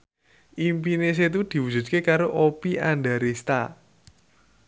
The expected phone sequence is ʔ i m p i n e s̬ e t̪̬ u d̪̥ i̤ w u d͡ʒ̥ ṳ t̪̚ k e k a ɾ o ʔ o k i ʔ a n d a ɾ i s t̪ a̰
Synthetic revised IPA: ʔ i m p i n e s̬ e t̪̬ u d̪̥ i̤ w u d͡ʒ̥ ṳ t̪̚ k e k a ɾ o ʔ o p i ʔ a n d a ɾ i s t̪ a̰